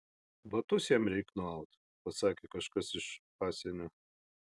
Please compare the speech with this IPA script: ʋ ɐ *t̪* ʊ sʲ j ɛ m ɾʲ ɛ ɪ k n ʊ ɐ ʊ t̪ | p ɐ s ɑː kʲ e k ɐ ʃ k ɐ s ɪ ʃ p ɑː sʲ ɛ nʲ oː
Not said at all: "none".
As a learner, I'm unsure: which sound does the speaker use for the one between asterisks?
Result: t̪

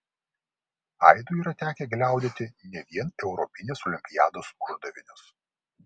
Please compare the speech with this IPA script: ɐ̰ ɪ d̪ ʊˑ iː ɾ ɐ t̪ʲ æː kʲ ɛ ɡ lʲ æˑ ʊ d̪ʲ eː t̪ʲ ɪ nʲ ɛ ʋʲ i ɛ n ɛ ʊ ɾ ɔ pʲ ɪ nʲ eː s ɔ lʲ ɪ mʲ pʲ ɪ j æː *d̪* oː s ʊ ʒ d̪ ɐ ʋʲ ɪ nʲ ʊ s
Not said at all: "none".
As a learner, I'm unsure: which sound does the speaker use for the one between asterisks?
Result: d̪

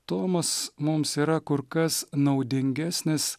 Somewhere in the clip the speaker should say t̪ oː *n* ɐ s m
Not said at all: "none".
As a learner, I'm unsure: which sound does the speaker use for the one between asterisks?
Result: m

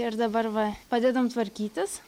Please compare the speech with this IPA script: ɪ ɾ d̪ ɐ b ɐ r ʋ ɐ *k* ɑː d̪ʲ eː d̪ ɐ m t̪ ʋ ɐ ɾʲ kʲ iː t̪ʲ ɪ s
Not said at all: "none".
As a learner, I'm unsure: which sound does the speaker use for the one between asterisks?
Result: p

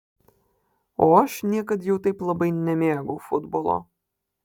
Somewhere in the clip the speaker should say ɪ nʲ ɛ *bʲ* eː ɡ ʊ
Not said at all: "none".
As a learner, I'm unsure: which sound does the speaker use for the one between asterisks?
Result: mʲ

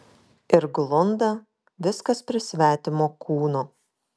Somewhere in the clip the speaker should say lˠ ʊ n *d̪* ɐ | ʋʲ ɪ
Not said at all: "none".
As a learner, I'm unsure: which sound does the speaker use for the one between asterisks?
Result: d̪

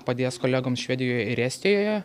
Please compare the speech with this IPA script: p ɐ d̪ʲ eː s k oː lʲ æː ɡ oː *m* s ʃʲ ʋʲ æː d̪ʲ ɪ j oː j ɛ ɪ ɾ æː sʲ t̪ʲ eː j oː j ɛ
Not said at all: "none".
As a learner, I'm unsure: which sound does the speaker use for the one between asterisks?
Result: m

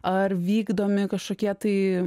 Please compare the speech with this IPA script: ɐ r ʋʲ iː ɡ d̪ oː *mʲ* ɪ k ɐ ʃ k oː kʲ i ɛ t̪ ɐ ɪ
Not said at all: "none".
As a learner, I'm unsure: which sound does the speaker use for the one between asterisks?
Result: mʲ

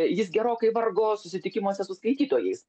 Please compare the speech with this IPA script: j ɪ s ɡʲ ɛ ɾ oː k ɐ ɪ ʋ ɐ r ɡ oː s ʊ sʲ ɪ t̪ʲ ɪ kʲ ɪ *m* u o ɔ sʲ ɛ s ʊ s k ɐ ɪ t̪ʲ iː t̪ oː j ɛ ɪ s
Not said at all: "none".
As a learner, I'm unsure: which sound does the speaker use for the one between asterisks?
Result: m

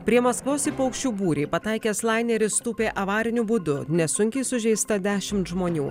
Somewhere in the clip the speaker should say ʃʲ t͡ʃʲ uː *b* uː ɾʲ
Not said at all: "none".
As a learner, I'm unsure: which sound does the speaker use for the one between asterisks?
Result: b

